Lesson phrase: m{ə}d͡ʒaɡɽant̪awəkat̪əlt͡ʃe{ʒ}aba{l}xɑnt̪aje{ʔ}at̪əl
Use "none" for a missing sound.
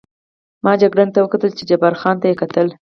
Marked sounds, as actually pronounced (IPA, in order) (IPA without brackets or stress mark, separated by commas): ɑ, d͡ʒ, ɾ, k